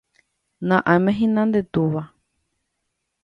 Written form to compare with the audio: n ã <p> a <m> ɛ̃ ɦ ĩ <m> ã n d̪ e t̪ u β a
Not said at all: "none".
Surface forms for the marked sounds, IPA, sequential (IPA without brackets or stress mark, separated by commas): ʔ, m, n